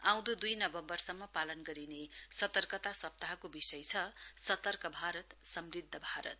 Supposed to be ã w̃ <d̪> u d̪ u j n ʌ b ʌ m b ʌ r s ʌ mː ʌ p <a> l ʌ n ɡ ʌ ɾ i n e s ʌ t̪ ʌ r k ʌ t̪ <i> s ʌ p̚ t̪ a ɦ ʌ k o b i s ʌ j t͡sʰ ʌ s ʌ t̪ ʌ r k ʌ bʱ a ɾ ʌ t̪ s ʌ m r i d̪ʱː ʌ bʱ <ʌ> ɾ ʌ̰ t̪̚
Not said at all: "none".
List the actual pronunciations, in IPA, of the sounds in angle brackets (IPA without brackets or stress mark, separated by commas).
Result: d̪, a, a, a